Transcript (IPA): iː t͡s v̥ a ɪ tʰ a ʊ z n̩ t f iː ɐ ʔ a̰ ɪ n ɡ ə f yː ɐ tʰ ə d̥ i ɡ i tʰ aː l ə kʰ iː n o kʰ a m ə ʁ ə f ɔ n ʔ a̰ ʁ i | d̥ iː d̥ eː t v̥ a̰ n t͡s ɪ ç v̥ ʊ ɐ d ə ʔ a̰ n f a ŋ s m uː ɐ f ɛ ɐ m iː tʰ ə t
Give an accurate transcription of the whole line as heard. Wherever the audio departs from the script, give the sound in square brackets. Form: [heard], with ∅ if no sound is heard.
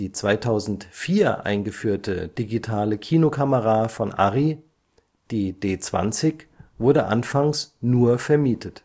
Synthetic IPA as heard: iː t͡s v̥ a ɪ tʰ a ʊ z n̩ t f iː ɐ ʔ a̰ ɪ n ɡ ə f yː ɐ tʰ ə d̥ i ɡ i tʰ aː l ə kʰ iː n o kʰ a m ə ʁ [a] f ɔ n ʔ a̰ ʁ i | d̥ iː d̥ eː [t͡s] v̥ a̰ n t͡s ɪ ç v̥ ʊ ɐ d ə ʔ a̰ n f a ŋ s [n] uː ɐ f ɛ ɐ m iː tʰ ə t